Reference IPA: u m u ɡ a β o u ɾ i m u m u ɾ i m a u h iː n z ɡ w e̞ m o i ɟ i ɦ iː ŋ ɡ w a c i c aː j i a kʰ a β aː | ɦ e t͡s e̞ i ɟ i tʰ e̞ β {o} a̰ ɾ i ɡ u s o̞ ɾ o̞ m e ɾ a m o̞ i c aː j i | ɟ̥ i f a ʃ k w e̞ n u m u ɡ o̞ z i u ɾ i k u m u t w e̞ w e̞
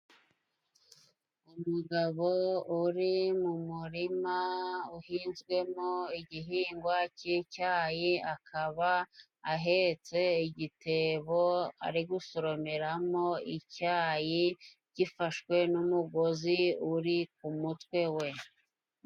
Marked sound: correct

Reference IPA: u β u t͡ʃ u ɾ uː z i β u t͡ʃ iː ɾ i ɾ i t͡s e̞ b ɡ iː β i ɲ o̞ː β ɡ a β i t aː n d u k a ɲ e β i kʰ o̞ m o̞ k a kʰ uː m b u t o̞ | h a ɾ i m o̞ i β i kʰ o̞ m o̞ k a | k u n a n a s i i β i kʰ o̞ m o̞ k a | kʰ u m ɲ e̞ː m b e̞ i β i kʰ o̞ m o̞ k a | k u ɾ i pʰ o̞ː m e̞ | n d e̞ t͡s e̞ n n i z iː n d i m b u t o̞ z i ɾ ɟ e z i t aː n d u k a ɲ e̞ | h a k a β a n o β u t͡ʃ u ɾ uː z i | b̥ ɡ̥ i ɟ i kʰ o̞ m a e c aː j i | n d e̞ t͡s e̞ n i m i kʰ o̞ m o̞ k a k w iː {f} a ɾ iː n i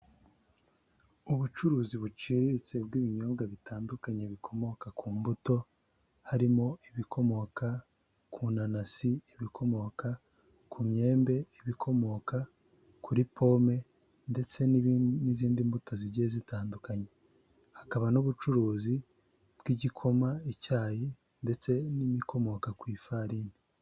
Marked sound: correct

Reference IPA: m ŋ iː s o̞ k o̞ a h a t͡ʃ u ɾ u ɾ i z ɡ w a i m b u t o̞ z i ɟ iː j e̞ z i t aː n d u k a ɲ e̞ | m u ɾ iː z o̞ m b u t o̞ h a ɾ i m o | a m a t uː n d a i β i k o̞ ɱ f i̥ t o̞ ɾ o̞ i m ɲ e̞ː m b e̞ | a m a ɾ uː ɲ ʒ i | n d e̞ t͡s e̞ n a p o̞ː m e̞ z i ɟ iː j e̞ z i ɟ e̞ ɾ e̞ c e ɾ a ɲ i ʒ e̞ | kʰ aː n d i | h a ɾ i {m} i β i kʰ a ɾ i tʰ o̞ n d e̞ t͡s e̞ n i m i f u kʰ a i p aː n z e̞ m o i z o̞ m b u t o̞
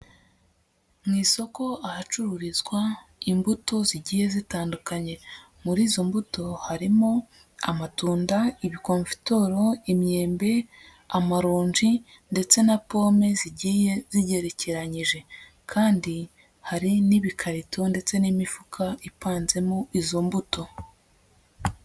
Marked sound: incorrect: n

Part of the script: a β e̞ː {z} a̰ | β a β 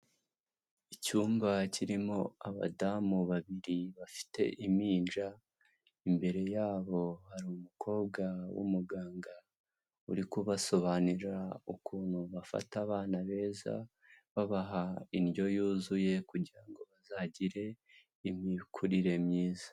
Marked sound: correct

